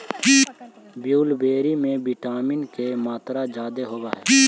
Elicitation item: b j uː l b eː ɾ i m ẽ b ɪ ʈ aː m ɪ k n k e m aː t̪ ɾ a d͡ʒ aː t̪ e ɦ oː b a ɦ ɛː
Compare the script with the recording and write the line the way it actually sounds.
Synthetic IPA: b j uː l b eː ɾ i m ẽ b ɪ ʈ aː m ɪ n k e m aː t̪ ɾ a d͡ʒ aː d̪ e ɦ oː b a ɦ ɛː